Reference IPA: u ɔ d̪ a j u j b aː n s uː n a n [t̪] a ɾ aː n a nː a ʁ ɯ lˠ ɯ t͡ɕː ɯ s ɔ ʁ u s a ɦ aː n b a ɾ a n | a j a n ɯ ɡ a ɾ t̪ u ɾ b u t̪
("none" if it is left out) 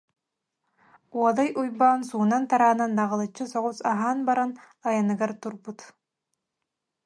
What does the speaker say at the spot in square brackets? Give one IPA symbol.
t̪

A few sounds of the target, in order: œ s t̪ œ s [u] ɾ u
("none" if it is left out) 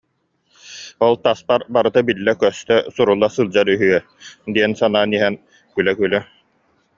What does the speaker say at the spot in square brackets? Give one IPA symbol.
u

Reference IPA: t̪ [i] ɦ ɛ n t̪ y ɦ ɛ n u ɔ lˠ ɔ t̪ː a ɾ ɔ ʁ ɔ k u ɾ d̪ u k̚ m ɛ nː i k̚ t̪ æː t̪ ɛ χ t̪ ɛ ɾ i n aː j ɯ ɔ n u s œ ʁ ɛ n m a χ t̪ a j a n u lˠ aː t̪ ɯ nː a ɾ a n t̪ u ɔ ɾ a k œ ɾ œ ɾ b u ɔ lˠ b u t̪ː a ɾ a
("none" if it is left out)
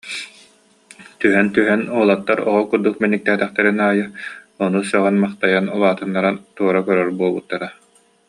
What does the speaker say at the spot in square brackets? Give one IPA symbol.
y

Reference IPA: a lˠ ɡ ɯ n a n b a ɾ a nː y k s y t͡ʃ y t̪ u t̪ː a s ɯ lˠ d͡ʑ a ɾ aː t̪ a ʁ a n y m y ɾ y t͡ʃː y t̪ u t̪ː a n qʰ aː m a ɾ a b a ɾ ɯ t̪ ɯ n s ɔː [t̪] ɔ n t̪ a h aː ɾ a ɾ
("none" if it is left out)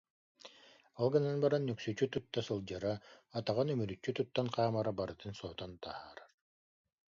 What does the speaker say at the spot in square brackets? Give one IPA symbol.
t̪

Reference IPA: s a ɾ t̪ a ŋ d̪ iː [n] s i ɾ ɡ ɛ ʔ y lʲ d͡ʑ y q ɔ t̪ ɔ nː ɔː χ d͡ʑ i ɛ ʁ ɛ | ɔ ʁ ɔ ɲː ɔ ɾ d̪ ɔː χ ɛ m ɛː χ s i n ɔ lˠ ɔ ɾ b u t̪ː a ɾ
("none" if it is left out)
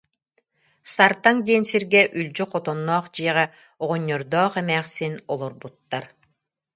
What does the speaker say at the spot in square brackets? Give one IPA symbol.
n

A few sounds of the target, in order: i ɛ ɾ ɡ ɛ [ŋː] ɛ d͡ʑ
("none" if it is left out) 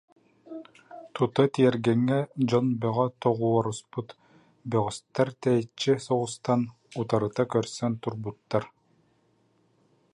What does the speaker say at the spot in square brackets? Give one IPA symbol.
ŋː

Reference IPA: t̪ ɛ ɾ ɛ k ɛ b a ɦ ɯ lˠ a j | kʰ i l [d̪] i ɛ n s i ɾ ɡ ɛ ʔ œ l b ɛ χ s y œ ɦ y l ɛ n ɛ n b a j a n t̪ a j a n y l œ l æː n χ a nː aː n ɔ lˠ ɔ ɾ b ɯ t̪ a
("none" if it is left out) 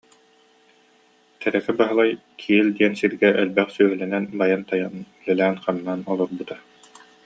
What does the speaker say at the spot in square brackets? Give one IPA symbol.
d̪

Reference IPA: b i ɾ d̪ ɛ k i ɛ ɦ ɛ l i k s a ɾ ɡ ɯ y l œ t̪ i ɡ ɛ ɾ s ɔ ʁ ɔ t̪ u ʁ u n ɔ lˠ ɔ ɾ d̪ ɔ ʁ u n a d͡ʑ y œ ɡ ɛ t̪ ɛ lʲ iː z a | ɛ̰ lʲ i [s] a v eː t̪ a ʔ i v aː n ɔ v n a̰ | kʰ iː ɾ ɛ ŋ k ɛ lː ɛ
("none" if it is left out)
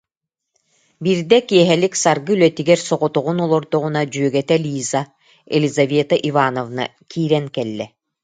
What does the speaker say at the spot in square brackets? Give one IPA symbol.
z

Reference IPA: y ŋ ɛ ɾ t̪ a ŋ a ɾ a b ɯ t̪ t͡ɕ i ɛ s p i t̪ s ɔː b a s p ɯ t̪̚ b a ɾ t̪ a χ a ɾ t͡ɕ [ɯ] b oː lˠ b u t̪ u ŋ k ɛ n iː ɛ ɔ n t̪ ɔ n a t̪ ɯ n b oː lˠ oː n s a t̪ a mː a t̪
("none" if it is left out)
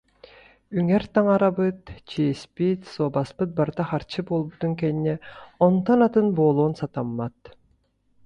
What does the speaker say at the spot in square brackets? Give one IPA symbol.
ɯ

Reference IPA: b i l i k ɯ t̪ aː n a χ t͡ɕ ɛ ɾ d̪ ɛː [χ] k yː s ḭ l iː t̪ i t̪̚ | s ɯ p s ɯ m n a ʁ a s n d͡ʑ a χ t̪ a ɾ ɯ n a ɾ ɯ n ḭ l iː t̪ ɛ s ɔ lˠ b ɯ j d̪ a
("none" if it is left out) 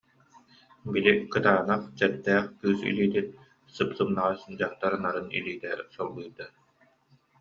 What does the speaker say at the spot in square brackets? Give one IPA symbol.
χ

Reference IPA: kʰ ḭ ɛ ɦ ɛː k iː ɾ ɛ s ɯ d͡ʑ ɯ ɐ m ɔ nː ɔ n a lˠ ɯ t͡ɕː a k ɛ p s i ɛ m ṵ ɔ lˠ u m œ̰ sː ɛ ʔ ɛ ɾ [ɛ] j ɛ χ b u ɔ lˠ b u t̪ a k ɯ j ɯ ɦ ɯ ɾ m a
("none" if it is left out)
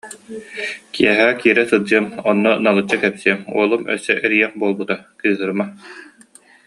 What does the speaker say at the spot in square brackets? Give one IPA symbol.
i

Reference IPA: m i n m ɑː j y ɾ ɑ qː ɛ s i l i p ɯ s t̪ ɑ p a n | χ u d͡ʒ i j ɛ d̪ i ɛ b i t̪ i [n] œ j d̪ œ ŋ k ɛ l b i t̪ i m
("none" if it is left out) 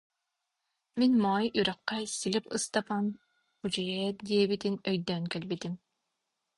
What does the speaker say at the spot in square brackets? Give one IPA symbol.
n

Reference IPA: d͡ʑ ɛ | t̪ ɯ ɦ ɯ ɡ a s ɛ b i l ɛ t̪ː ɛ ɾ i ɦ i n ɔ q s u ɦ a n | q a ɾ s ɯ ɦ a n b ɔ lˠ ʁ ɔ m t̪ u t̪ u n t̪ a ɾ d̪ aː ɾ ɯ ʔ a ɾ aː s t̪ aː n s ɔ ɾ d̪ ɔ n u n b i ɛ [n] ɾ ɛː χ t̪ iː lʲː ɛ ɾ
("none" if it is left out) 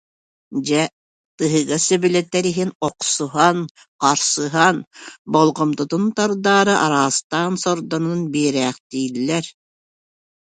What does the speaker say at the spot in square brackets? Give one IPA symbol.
none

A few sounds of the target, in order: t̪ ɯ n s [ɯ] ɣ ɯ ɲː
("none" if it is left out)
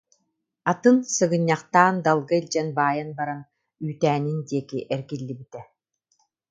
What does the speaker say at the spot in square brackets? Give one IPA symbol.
ɯ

